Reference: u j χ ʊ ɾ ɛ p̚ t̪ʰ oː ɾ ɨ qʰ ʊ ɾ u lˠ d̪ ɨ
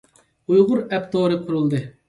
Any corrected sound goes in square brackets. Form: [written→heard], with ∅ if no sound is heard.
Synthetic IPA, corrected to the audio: u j [χ→ʁ] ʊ ɾ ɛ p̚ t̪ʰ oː ɾ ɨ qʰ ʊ ɾ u lˠ d̪ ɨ